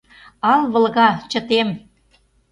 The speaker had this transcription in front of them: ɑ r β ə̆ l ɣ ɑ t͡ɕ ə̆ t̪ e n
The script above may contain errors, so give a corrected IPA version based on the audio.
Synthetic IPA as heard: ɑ l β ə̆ l ɣ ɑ t͡ɕ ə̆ t̪ e m